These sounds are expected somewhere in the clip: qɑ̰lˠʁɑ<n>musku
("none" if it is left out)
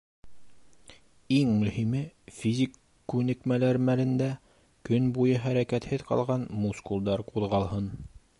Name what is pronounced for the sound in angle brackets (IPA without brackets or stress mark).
n